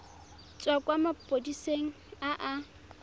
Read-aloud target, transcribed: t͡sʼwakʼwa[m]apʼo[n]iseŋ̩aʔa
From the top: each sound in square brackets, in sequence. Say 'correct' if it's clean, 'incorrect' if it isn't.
correct, incorrect: d

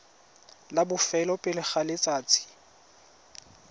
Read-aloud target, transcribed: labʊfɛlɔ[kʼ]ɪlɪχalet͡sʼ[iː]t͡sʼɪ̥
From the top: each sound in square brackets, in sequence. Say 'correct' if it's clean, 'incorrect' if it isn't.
incorrect: pʼ, incorrect: aː

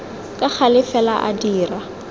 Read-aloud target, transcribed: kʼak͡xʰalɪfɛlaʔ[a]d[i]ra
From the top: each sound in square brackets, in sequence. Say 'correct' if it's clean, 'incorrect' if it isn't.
correct, incorrect: iː

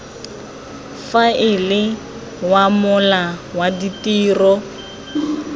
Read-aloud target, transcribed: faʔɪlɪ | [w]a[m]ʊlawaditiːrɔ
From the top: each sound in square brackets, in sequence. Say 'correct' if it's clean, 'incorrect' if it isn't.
correct, correct

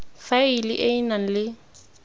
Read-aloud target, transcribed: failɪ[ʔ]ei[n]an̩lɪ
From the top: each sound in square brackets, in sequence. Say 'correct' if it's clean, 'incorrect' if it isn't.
correct, correct

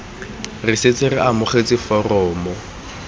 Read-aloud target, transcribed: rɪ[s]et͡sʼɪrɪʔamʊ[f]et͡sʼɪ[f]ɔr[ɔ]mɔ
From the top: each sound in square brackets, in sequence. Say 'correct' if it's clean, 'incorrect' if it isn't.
correct, incorrect: χ, correct, incorrect: ɔː

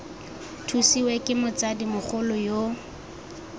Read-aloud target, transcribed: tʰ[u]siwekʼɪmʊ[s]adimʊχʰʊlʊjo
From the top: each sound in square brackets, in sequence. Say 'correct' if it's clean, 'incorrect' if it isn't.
correct, incorrect: t͡s

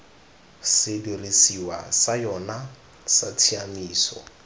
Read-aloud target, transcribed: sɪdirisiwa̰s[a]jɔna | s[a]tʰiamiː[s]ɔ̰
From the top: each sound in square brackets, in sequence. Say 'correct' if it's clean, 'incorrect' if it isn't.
correct, correct, correct

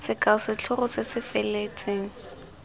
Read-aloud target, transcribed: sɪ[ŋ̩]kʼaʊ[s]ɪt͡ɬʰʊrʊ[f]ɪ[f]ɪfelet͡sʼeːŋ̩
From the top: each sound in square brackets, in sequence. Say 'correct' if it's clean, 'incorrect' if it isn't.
incorrect: none, correct, incorrect: s, incorrect: s

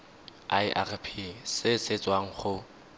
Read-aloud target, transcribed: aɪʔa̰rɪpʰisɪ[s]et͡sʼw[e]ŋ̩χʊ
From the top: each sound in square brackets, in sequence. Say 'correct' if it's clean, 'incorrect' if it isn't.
correct, incorrect: a

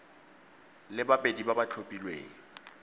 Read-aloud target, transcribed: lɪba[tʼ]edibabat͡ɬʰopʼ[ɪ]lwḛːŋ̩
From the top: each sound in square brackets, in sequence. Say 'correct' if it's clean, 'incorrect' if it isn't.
incorrect: pʼ, incorrect: i

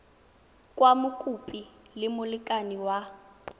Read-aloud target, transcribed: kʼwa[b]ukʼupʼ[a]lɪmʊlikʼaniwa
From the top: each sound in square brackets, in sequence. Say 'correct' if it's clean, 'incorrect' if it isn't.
incorrect: m, incorrect: i

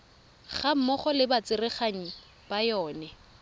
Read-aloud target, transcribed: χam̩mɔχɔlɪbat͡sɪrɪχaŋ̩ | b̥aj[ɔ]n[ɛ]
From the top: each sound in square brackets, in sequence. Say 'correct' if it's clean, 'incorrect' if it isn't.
incorrect: ɔː, correct

